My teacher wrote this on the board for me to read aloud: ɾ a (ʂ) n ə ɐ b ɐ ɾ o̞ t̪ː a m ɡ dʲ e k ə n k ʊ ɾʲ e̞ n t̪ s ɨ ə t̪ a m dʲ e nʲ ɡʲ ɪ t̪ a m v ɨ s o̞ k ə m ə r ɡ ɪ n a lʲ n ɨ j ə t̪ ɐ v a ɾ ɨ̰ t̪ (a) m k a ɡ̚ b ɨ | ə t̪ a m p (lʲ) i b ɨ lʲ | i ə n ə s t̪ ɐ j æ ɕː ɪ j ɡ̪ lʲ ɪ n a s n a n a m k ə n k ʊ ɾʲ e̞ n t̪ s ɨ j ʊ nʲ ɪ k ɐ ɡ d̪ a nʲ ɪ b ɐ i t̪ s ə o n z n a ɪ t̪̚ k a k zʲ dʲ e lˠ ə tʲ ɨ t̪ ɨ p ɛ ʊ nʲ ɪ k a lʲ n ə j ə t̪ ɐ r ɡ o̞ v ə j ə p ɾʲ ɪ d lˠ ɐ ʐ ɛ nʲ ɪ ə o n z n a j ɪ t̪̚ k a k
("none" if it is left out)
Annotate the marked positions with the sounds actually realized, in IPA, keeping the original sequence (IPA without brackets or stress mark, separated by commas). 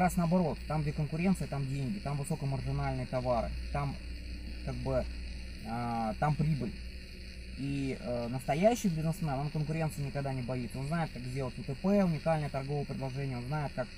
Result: s, a, ɾʲ